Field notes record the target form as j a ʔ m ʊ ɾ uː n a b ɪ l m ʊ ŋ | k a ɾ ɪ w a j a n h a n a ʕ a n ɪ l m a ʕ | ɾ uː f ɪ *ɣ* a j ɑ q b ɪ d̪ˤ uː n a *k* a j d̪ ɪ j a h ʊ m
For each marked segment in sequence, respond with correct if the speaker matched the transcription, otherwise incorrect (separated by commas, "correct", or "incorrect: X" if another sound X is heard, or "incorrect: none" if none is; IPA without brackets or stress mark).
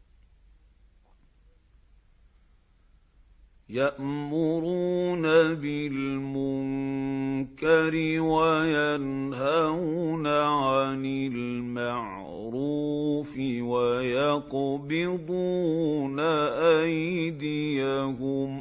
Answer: incorrect: w, incorrect: ʔ